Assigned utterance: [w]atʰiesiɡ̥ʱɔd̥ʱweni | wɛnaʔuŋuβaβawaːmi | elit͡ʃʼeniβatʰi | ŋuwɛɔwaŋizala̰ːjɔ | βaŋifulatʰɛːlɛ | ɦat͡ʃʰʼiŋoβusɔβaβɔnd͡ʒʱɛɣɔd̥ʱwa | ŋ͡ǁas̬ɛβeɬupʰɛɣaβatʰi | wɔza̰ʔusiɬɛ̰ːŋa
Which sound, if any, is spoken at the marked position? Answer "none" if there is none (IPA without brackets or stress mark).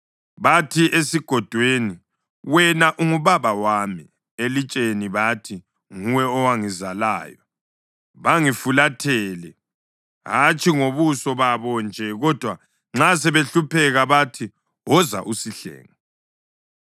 β